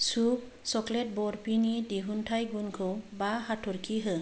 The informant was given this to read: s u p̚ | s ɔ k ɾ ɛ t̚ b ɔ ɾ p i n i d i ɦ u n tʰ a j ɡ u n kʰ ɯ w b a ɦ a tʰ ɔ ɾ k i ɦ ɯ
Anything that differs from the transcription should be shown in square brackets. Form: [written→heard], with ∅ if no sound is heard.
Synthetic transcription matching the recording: s u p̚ | s ɔ k [ɾ→l] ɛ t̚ b ɔ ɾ p i n i d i ɦ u n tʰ a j ɡ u n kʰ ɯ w b a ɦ a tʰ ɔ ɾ k i ɦ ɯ